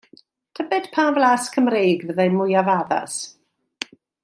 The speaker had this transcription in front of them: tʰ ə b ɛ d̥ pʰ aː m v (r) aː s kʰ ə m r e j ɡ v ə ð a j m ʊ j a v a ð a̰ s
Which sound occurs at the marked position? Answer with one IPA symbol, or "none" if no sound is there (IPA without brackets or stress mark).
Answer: l